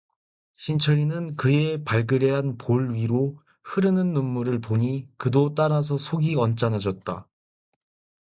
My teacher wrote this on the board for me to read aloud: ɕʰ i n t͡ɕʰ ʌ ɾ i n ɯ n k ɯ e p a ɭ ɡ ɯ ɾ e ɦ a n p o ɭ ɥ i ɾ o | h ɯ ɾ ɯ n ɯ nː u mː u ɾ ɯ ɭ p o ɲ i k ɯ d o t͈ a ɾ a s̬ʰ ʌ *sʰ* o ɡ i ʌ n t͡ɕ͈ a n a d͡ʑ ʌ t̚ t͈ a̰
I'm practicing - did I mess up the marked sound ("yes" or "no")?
no